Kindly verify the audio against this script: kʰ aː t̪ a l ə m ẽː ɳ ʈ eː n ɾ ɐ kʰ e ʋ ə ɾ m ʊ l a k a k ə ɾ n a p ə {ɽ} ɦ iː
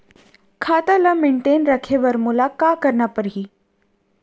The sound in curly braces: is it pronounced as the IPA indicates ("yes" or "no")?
no